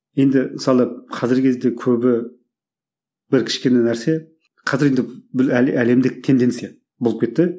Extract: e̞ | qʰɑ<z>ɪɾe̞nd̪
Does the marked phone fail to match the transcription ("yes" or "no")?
no